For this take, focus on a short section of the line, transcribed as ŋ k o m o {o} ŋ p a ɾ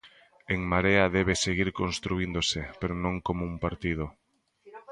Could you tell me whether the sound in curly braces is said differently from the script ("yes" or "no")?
yes